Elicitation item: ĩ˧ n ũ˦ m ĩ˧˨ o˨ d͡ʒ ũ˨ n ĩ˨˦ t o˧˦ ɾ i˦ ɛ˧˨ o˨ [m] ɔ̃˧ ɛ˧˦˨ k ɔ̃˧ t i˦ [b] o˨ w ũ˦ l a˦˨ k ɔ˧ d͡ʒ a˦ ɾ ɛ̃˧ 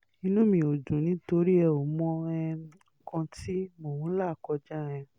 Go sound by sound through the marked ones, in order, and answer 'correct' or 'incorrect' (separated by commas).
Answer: correct, incorrect